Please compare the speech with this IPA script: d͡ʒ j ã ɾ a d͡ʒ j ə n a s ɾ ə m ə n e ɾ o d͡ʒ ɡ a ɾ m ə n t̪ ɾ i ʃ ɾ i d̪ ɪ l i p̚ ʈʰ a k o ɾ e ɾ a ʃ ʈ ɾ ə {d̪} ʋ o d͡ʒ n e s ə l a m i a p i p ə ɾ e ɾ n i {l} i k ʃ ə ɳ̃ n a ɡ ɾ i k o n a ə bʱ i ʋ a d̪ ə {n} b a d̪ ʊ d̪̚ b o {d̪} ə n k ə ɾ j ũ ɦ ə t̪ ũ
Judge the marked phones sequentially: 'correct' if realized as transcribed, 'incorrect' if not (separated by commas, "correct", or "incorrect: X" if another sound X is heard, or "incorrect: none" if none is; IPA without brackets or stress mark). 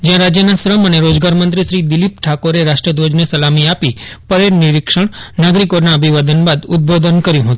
correct, incorrect: ɾ, correct, correct